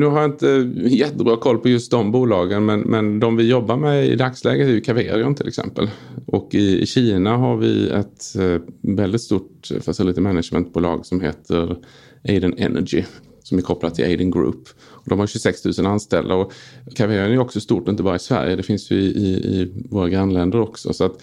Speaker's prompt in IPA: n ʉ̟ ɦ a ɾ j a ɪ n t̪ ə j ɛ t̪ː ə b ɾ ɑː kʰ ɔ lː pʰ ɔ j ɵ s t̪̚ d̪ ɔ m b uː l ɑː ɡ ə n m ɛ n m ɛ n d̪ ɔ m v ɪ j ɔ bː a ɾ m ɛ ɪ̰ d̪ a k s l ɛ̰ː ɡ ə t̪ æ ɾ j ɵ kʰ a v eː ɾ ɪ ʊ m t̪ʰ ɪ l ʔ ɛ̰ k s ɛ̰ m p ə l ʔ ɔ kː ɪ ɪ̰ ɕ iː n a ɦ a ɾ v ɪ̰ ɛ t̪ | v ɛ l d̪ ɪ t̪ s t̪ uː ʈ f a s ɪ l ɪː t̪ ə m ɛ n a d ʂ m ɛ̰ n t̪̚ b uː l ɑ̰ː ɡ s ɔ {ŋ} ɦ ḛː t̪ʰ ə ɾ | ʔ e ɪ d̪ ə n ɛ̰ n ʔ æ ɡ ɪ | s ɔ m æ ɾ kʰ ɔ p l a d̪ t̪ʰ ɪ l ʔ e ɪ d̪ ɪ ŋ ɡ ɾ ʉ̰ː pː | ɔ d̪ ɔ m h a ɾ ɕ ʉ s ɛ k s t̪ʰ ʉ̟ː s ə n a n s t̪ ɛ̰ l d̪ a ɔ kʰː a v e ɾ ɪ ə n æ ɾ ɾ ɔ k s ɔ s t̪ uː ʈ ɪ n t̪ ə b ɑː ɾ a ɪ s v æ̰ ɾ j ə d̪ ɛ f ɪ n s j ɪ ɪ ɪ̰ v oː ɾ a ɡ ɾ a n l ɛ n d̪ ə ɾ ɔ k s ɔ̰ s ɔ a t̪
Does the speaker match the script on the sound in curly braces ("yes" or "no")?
no